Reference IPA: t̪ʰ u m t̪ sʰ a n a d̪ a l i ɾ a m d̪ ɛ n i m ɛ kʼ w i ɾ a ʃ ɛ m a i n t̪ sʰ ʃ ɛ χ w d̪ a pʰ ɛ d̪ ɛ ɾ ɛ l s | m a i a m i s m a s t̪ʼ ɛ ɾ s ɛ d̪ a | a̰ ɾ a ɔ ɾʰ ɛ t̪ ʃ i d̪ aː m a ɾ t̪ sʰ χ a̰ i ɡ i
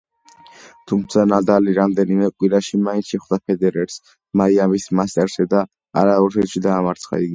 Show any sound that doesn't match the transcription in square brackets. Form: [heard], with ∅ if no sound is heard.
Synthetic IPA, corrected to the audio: t̪ʰ u m t̪ sʰ a n a d̪ a l i ɾ a m d̪ ɛ n i m ɛ kʼ w i ɾ a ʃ [i] m a i n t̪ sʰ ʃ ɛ χ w d̪ a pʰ ɛ d̪ ɛ ɾ ɛ [ɾ] s | m a i a m i s m a s t̪ʼ ɛ ɾ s ɛ d̪ a | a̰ ɾ a ɔ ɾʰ ɛ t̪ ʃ i d̪ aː m a ɾ t̪ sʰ χ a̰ i ɡ i